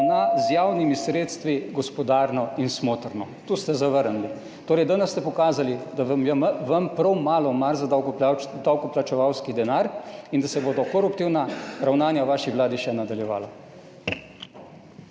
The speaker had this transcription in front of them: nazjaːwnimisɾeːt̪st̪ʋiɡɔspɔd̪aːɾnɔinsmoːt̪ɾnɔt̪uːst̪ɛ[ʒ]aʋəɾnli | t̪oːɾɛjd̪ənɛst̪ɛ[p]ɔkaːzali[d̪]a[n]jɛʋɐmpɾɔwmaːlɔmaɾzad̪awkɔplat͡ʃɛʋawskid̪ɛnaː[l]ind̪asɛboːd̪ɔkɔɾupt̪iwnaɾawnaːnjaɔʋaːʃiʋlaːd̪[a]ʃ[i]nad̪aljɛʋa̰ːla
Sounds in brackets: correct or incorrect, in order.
incorrect: z, correct, correct, incorrect: m, incorrect: ɾ, incorrect: i, incorrect: ɛ

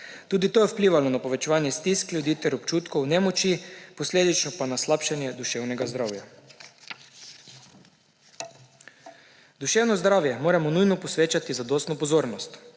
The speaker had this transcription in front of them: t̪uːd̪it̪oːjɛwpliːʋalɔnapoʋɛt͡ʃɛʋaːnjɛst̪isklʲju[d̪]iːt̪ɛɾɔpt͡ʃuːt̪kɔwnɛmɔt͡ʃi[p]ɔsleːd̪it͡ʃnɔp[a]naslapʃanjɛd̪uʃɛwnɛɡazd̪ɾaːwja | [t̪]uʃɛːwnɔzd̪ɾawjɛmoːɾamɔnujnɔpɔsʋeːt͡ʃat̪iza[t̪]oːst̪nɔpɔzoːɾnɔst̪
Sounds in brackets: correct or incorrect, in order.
correct, correct, correct, incorrect: d̪, incorrect: d̪

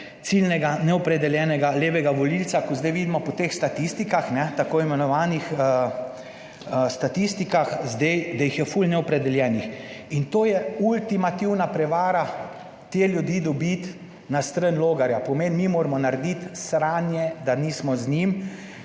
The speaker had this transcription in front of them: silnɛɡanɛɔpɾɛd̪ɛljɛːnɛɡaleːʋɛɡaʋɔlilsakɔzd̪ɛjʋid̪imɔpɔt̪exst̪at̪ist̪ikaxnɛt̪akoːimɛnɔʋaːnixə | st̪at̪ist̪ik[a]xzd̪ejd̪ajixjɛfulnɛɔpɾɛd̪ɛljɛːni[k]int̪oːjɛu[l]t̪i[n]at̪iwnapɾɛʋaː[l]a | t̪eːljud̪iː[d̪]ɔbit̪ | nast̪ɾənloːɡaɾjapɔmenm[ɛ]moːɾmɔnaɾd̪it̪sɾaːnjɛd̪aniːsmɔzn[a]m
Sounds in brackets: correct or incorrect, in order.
correct, incorrect: x, correct, incorrect: m, incorrect: ɾ, correct, incorrect: i, incorrect: i

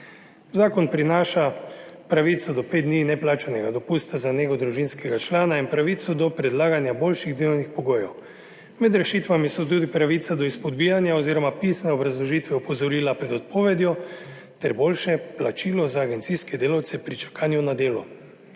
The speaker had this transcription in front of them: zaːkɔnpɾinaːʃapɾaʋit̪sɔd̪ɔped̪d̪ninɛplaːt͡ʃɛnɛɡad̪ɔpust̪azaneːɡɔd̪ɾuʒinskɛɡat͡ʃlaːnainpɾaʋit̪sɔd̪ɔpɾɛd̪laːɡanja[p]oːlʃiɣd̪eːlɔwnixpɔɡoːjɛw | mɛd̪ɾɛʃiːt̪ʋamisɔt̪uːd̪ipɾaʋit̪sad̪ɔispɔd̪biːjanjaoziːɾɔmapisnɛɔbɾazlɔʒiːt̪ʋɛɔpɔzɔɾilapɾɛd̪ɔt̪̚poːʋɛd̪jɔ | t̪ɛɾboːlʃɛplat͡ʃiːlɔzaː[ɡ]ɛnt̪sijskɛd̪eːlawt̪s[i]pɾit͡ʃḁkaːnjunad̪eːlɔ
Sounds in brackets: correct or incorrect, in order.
incorrect: b, correct, incorrect: ɛ

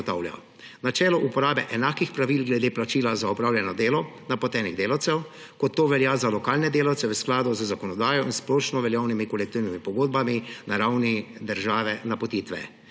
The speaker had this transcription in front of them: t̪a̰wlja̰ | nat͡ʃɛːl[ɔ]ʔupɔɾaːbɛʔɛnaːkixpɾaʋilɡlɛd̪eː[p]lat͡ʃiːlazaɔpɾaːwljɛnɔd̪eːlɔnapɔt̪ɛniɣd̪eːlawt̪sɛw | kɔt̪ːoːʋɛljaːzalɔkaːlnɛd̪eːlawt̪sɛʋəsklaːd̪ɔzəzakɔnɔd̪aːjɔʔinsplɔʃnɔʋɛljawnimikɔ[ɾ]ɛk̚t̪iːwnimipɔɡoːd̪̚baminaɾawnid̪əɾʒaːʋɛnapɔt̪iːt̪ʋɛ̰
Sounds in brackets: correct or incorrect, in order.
correct, correct, incorrect: l

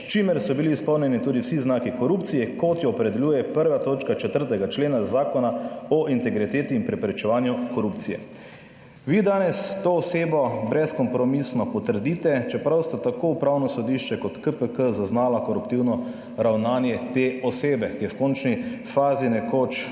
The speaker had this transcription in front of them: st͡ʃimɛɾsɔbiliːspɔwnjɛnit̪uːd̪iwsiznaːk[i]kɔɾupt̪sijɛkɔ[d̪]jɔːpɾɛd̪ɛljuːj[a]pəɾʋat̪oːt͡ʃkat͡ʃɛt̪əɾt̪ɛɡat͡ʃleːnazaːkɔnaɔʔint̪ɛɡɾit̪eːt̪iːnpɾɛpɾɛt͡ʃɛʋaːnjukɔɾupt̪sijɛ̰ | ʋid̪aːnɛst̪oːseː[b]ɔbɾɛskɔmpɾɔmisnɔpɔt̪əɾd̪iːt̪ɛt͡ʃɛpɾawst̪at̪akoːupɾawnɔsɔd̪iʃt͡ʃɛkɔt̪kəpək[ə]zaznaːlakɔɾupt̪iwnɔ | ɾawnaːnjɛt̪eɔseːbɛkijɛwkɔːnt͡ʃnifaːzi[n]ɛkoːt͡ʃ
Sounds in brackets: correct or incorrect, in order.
correct, incorrect: t̪, incorrect: ɛ, correct, correct, correct

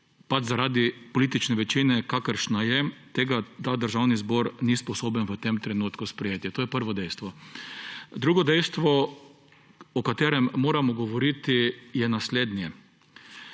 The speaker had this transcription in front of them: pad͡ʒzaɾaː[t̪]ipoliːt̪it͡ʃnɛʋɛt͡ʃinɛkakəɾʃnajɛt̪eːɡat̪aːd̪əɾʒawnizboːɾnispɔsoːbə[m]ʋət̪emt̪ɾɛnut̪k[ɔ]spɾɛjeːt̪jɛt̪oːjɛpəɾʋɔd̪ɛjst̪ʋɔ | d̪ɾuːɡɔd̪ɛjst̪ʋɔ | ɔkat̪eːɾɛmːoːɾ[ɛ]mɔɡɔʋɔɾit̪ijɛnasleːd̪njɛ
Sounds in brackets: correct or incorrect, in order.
incorrect: d̪, incorrect: n, incorrect: u, incorrect: a

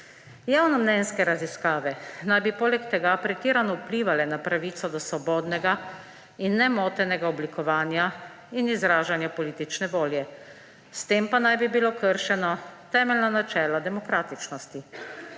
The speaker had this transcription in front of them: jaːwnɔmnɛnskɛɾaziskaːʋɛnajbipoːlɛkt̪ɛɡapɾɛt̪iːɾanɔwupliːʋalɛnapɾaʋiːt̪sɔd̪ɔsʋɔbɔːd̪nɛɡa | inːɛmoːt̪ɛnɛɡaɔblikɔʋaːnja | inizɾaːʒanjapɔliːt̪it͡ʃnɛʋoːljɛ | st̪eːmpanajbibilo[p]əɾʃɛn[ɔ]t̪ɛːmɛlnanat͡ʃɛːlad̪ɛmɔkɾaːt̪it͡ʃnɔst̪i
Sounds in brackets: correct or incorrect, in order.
incorrect: k, correct

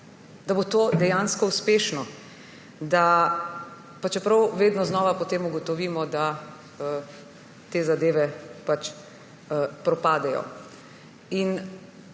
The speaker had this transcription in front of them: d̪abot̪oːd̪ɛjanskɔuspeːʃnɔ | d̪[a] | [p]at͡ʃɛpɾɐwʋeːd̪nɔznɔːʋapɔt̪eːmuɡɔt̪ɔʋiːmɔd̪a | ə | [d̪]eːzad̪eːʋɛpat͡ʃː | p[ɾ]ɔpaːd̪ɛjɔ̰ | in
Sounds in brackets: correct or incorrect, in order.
correct, correct, incorrect: t̪, correct

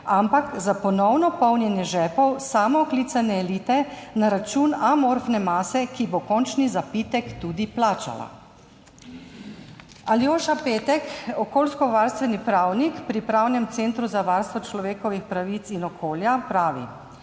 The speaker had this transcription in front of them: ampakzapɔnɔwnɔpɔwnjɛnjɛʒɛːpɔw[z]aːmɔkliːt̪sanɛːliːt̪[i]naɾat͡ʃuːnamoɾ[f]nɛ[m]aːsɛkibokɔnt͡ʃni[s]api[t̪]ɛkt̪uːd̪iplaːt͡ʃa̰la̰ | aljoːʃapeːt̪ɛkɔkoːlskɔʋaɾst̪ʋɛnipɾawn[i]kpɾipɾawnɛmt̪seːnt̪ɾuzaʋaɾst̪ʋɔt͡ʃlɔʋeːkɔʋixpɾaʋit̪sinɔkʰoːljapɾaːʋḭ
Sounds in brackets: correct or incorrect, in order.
incorrect: s, incorrect: ɛ, correct, correct, incorrect: z, correct, correct

